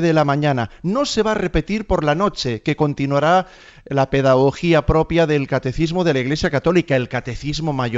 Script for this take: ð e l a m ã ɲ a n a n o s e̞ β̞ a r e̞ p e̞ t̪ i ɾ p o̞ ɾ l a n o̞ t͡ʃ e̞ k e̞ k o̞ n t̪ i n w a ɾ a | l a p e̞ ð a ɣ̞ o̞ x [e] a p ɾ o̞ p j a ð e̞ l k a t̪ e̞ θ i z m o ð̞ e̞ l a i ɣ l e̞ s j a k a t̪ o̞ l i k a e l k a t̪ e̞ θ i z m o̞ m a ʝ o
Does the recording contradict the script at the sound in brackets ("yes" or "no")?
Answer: yes